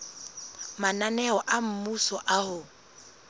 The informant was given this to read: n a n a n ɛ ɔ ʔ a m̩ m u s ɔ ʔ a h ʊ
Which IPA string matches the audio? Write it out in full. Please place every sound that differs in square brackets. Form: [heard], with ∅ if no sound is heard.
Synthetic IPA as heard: [m] a n a n ɛ ɔ ʔ a m̩ m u s ɔ ʔ a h ʊ